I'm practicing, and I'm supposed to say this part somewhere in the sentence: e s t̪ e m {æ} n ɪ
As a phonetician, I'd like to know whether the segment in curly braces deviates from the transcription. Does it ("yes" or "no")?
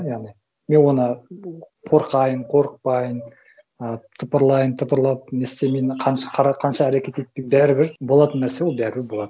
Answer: yes